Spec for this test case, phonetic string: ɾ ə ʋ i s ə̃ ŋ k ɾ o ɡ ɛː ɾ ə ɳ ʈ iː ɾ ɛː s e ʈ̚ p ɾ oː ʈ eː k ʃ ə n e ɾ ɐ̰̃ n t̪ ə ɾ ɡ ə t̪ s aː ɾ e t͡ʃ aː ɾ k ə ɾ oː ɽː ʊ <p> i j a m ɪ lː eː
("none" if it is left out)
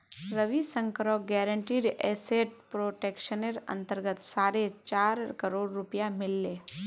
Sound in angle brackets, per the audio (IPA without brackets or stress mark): p